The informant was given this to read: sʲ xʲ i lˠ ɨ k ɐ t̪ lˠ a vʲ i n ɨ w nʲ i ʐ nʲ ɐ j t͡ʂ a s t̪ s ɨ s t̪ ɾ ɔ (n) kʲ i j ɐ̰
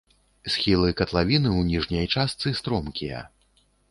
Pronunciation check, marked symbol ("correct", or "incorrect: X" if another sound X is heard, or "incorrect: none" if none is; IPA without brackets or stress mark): incorrect: m